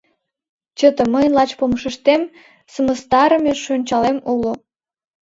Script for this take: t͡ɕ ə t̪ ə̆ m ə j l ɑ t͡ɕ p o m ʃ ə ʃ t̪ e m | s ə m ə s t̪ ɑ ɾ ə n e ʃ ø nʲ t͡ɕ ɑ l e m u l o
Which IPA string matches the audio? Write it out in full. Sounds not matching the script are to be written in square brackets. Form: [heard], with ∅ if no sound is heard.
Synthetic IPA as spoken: t͡ɕ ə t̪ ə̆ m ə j l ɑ t͡ɕ p o m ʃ ə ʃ t̪ e m | s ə m ə s t̪ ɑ ɾ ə [m] e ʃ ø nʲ t͡ɕ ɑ l e m u l o